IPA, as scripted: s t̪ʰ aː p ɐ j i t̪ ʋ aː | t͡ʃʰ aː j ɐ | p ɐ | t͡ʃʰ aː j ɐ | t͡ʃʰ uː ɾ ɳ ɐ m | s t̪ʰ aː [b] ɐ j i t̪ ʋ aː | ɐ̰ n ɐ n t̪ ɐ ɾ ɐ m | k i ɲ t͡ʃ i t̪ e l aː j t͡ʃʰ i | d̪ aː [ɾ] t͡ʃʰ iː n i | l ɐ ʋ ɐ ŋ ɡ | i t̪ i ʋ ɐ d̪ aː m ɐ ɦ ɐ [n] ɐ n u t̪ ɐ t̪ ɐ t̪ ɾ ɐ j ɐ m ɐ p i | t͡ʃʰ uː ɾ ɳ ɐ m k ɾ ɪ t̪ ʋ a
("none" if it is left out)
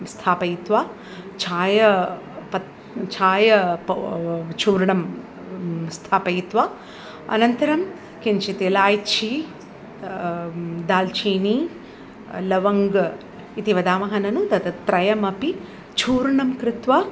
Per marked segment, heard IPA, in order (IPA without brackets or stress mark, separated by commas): p, l, n